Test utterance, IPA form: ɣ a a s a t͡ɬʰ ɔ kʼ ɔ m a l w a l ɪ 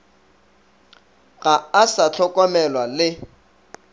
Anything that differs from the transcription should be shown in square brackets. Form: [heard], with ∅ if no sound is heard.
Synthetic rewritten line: ɣ a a s a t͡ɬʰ ɔ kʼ ɔ m [ɛ] l w a l ɪ

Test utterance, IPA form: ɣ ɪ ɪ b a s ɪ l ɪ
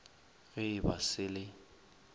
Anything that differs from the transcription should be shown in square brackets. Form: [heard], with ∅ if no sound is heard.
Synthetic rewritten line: ɣ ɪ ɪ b a s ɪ l ɪ

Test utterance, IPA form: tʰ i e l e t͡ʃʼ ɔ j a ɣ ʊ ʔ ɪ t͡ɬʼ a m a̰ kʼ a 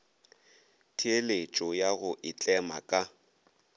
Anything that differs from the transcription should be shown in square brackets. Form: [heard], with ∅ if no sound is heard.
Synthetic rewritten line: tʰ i e l e t͡ʃʼ ɔ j a ɣ ʊ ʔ ɪ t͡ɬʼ [ɛ] m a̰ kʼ a

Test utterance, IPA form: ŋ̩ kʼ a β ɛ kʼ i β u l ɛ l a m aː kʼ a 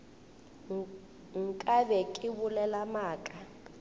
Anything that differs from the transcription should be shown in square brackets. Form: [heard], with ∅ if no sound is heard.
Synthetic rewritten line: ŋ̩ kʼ a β ɛ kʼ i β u l ɛ l a m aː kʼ a

